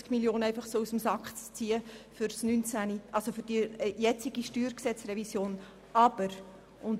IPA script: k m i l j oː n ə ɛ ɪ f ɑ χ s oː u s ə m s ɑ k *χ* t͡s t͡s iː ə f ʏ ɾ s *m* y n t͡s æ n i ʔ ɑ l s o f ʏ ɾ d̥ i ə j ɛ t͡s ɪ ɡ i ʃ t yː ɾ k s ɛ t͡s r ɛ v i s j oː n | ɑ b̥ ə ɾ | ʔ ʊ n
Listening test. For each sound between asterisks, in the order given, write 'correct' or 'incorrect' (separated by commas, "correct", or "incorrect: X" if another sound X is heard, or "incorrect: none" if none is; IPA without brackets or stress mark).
correct, incorrect: n